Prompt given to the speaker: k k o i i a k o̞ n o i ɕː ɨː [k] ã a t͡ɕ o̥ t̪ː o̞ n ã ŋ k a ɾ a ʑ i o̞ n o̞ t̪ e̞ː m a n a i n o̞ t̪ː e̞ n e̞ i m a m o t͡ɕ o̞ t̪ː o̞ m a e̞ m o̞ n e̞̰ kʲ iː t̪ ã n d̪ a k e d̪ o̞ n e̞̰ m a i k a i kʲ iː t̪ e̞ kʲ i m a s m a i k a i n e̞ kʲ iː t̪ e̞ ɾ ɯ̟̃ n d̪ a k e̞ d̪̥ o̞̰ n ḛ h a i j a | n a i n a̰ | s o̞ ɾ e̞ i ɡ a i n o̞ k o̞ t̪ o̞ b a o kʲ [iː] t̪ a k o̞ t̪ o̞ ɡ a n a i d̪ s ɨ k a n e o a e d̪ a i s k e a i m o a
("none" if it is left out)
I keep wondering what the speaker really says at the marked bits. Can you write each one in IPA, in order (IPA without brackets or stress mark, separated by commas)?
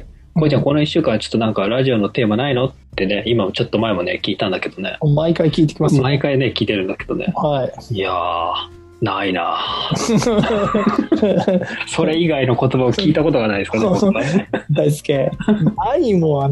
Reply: k, iː